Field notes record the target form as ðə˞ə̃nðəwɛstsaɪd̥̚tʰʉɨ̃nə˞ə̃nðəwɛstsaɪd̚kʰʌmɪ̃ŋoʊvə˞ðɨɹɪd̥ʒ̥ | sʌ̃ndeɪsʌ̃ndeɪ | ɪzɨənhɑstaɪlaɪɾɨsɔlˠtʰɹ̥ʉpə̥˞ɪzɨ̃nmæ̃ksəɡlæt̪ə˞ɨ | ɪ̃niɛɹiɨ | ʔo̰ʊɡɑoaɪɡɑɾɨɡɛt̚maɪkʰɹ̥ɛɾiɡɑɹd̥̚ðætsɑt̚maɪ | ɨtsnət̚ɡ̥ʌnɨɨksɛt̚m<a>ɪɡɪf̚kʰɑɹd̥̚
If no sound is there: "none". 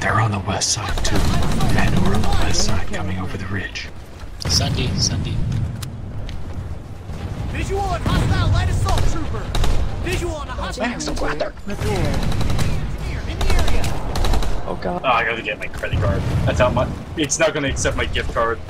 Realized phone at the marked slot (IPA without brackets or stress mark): a